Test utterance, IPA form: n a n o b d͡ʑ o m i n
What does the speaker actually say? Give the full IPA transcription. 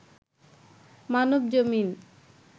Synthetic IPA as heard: m a n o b d͡ʑ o m i n